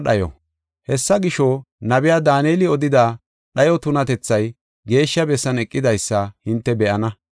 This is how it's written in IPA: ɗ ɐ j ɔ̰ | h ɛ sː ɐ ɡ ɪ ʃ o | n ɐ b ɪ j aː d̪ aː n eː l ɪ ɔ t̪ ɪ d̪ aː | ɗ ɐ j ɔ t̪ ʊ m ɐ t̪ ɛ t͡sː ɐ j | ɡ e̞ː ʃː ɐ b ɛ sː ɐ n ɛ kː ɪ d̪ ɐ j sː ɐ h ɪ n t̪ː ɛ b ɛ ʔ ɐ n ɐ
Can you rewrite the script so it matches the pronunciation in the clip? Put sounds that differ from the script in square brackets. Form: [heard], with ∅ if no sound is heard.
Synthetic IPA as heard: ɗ ɐ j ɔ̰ | h ɛ sː ɐ ɡ ɪ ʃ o | n ɐ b ɪ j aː d̪ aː n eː l ɪ ɔ [d̪] ɪ d̪ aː | ɗ ɐ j ɔ t̪ ʊ [n] ɐ t̪ ɛ t͡sː ɐ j | ɡ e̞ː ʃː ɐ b ɛ sː ɐ n ɛ [kʼː] ɪ d̪ ɐ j sː ɐ h ɪ n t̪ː ɛ b ɛ ʔ ɐ n ɐ